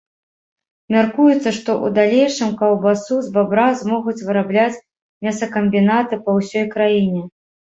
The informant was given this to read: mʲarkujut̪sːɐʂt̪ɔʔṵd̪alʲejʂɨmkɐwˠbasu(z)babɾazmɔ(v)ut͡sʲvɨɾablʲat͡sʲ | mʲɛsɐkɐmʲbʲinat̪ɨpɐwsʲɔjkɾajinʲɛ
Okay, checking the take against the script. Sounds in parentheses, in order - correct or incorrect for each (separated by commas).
correct, incorrect